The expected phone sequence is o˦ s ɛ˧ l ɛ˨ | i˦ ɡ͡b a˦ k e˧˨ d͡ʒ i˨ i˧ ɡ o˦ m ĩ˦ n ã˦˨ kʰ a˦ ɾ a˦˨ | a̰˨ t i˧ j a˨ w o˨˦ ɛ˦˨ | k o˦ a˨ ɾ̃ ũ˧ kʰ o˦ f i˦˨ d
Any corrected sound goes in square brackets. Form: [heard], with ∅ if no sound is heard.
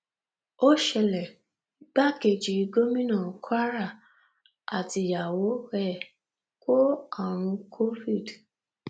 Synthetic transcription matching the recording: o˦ [ʃ] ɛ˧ l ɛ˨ | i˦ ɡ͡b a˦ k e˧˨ d͡ʒ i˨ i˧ ɡ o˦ m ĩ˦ n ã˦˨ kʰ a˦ ɾ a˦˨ | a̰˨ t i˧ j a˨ w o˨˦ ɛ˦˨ | k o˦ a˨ ɾ̃ ũ˧ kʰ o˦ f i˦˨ d